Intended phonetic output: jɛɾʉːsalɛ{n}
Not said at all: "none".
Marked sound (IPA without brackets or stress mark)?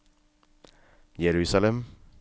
m